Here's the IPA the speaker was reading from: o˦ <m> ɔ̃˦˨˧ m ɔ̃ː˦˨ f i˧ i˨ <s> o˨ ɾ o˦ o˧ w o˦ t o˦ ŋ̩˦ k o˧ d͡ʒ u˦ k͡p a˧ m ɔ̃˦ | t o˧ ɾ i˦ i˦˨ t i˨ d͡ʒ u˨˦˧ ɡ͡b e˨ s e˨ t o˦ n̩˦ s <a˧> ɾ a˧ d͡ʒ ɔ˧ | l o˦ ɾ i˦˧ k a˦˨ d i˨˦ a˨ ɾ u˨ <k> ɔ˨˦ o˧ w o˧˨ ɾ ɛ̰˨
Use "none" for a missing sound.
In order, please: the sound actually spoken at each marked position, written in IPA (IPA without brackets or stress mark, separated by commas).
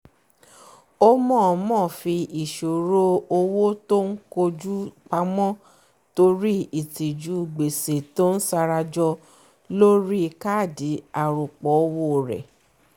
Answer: m, ʃ, a˧, k͡p